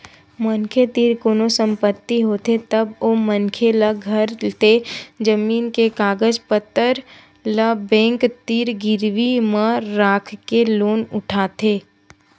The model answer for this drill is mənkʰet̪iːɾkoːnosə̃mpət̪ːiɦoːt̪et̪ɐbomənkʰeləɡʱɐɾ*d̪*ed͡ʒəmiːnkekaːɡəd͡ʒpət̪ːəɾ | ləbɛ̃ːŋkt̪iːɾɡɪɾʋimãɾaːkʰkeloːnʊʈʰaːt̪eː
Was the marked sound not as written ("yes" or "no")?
yes